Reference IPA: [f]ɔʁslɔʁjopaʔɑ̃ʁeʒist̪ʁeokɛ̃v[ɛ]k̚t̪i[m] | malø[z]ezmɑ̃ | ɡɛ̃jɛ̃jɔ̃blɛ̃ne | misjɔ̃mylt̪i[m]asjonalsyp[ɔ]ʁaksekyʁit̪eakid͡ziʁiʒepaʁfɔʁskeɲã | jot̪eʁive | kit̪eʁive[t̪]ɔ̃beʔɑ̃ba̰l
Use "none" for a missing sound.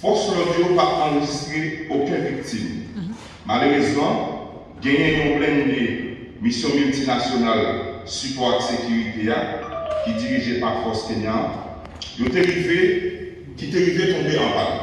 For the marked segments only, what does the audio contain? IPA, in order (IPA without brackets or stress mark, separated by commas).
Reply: f, i, m, ʁ, n, ɔ, t̪